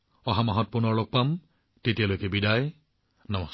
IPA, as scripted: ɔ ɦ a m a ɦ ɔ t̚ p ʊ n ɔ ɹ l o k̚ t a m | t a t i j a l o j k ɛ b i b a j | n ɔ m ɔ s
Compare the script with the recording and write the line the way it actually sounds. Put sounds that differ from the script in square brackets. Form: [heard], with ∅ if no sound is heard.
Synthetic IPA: ɔ ɦ a m a ɦ ɔ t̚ p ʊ n ɔ ɹ l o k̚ [p] a m | t [e] t i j a l o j k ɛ b i [d] a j | n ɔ m ɔ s

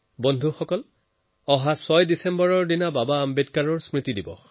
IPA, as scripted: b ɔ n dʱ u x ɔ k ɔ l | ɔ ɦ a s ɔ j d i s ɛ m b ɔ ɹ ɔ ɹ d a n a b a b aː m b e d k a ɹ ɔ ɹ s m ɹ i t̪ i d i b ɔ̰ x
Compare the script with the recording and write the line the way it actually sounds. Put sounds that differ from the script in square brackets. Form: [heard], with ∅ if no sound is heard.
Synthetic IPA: b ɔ n dʱ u x ɔ k ɔ l | ɔ ɦ a s ɔ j d i s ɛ m b ɔ ɹ ɔ ɹ d [i] n a b a b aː m b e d k a ɹ ɔ ɹ s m ɹ i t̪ i d i b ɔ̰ x

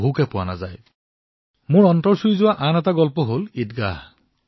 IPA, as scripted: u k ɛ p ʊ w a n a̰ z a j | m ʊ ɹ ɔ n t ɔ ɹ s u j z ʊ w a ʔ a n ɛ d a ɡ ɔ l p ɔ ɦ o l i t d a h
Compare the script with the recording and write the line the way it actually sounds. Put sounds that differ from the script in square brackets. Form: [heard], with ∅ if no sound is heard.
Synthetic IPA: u k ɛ p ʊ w a n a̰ z a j | m ʊ ɹ ɔ n t ɔ ɹ s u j z ʊ w a ʔ a n ɛ [t] a ɡ ɔ l p ɔ ɦ o l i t [ɡ] a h

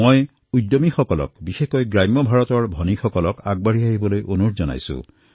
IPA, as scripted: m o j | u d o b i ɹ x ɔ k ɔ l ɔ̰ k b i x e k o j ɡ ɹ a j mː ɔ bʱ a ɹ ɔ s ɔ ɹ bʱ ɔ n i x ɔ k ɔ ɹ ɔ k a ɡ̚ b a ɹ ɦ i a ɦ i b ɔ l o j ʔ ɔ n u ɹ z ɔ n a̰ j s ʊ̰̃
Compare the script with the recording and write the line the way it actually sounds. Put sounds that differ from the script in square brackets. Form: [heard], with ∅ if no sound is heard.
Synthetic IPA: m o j | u d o [m] i [∅] x ɔ k ɔ l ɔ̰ k b i x e k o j ɡ ɹ a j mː ɔ bʱ a ɹ ɔ [t] ɔ ɹ bʱ ɔ n i x ɔ k ɔ [l] ɔ k a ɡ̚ b a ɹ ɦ i a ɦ i b ɔ l o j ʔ [o] n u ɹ z ɔ n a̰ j s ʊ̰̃

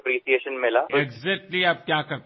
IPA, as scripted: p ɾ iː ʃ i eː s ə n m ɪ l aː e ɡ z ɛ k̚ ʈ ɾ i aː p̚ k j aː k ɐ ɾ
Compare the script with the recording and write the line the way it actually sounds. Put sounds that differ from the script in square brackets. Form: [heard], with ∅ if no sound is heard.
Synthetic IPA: p ɾ iː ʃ i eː [ʃ] ə n m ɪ l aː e ɡ z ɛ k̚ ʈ [l] i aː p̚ k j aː k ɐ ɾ

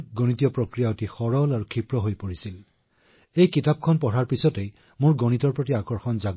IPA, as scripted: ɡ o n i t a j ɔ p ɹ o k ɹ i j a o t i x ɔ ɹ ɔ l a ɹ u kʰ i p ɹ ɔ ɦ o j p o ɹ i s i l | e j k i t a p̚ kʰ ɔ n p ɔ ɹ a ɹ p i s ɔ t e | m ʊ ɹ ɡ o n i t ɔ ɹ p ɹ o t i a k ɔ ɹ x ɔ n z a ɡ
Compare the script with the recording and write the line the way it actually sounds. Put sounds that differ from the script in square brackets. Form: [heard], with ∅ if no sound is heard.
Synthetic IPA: ɡ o n i t [i] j ɔ p ɹ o k ɹ i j a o t i x ɔ ɹ ɔ l a ɹ u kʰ i p ɹ ɔ ɦ o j p o ɹ i s i l | e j k i t a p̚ kʰ ɔ n p ɔ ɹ a ɹ p i s ɔ t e | m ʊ ɹ ɡ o n i t ɔ ɹ p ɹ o t i a k ɔ ɹ x ɔ n z a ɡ

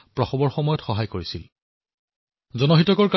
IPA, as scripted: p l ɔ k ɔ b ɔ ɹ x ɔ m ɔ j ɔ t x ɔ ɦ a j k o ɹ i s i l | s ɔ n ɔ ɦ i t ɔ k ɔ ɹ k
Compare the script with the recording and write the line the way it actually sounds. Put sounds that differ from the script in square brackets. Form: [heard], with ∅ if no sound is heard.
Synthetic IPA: p [ɹ] ɔ [x] ɔ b ɔ ɹ x ɔ m ɔ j ɔ t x ɔ ɦ a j k o ɹ i s i l | [z] ɔ n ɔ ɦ i t ɔ k ɔ ɹ k

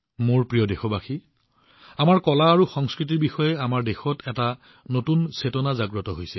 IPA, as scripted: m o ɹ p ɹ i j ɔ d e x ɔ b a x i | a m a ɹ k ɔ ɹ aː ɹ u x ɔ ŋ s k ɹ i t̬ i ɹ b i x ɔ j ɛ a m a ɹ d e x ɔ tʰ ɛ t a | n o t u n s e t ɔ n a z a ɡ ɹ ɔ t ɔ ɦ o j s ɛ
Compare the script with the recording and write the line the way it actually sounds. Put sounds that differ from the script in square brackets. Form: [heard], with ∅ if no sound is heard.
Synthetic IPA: m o ɹ p ɹ i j ɔ d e x ɔ b a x i | a m a ɹ k ɔ [l] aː ɹ u x ɔ ŋ s k ɹ i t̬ i ɹ b i x ɔ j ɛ a m a ɹ d e x ɔ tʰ ɛ t a | n o t u n s e t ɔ n a z a ɡ ɹ ɔ t ɔ ɦ o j s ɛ

